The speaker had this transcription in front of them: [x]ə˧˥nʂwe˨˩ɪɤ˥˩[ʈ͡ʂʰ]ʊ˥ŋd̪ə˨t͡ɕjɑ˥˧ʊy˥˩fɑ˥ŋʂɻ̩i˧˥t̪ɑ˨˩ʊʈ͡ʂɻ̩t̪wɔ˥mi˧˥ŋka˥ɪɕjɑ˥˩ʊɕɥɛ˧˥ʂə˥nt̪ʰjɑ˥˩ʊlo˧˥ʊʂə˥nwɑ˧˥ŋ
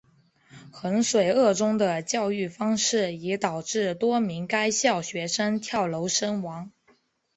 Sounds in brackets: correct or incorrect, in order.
correct, incorrect: ʈ͡ʂ

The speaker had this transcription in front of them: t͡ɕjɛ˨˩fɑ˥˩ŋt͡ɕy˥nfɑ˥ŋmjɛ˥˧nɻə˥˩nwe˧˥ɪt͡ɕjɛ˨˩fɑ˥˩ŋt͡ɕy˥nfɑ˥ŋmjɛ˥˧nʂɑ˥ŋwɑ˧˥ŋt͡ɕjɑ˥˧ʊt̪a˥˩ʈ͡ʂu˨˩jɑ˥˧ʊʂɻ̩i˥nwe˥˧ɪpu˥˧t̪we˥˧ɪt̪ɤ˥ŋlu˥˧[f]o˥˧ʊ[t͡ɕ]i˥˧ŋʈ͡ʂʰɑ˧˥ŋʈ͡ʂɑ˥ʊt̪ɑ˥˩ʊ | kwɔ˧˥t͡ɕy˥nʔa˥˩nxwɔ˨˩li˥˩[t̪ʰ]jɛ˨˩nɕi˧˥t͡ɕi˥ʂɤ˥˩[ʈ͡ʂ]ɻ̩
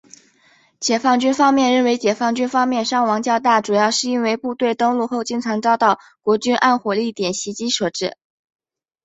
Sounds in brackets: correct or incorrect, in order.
incorrect: x, correct, incorrect: t̪, correct

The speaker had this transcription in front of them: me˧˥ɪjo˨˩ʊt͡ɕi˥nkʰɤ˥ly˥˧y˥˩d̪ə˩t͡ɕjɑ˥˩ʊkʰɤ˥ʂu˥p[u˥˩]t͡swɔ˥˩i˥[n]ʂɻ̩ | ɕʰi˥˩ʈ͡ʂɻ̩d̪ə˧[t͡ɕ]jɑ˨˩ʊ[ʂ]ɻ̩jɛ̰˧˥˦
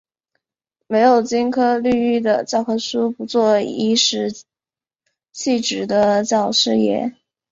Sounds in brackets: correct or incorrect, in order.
incorrect: u˧˥, incorrect: none, correct, correct

